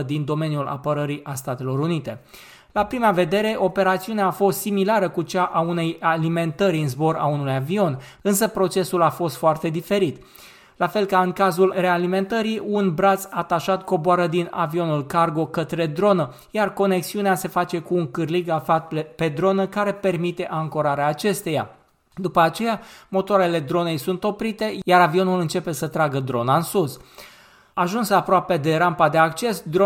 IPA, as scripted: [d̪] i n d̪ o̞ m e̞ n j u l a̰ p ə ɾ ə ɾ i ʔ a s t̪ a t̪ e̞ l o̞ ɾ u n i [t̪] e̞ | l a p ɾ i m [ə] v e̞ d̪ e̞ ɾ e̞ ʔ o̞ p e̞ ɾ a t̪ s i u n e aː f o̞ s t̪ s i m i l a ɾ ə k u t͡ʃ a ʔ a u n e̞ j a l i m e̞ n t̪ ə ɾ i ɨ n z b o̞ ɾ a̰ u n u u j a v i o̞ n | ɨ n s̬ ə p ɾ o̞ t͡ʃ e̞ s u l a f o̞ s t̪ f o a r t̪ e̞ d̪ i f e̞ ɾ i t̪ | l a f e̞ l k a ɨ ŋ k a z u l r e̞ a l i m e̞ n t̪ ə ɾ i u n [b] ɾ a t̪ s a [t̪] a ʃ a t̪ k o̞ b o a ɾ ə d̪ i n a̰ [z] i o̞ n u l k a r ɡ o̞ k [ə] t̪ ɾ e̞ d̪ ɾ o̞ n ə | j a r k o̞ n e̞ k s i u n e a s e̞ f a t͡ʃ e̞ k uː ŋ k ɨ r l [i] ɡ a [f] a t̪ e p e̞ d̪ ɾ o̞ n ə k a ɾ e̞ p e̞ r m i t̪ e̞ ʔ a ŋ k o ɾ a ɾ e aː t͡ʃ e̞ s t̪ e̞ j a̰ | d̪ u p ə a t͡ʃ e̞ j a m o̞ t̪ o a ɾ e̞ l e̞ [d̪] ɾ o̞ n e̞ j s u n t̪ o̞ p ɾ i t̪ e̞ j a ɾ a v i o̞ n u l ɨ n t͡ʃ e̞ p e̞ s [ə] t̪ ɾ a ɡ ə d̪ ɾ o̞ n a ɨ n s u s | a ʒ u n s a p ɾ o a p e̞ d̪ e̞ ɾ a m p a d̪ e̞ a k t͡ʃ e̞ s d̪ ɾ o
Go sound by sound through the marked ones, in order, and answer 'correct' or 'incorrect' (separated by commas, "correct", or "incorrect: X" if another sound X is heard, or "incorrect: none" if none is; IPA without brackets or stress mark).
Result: correct, correct, incorrect: a, correct, correct, incorrect: v, correct, correct, correct, correct, correct